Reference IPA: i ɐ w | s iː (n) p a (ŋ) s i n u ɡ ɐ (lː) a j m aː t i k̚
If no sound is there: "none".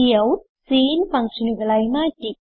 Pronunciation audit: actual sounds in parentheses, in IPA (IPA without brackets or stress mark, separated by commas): n, ŋ, l